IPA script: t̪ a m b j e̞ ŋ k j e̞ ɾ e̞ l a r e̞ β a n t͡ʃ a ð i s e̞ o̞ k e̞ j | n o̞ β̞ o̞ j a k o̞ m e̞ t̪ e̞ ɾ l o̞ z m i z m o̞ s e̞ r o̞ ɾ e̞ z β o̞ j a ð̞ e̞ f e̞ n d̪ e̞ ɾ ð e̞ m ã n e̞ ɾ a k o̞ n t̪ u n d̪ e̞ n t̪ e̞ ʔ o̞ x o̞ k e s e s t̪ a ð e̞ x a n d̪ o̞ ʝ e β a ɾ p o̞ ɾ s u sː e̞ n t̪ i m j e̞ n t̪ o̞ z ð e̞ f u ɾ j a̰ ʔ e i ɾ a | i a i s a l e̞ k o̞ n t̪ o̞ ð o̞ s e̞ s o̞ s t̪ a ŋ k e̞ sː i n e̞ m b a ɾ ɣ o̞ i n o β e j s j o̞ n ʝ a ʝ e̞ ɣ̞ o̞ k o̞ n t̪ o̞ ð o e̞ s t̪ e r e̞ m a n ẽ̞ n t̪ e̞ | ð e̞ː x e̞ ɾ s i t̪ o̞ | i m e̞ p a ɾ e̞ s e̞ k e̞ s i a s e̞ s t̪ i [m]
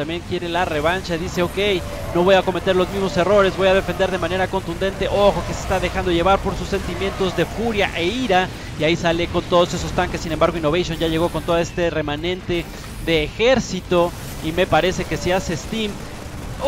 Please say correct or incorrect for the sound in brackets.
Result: correct